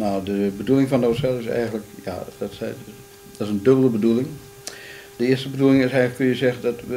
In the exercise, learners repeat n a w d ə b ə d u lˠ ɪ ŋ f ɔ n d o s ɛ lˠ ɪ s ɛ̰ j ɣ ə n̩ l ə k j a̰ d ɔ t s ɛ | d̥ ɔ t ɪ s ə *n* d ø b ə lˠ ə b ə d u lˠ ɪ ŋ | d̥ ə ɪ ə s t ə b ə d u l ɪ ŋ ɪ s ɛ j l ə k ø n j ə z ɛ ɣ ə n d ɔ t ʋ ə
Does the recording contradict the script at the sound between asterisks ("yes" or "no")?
no